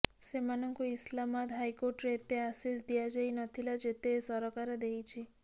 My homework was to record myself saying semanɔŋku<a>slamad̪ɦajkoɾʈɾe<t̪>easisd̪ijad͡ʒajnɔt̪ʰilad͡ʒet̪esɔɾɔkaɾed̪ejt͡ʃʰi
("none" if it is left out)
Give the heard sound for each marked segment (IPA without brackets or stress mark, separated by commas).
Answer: i, t̪